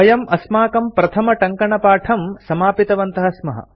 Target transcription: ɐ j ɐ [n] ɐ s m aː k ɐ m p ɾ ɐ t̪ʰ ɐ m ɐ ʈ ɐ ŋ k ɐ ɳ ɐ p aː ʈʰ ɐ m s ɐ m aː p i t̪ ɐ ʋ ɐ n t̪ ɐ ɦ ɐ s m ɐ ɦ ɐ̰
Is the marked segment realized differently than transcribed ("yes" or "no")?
yes